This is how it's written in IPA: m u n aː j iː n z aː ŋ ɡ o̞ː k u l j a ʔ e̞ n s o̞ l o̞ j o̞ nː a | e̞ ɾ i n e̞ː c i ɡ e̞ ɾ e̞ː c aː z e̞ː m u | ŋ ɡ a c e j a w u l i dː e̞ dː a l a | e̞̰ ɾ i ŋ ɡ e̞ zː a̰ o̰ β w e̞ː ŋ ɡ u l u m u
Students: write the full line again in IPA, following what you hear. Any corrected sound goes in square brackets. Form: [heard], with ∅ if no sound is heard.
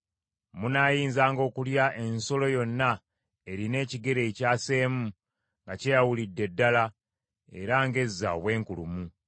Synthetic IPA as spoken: m u n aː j iː n z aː ŋ ɡ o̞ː k u l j a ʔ e̞ n s o̞ l o̞ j o̞ nː a | e̞ ɾ i n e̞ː c i ɡ e̞ ɾ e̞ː c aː [s] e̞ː m u | ŋ ɡ a c e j a w u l i dː e̞ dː a l a | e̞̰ ɾ [a] ŋ ɡ e̞ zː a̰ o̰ β w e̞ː ŋ [k] u l u m u